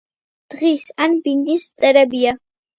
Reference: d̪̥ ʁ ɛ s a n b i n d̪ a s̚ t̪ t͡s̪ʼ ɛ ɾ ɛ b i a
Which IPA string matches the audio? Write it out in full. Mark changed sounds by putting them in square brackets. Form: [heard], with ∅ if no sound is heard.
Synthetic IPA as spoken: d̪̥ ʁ [i] s a n b i n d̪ [i] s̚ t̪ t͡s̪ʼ ɛ ɾ ɛ b i a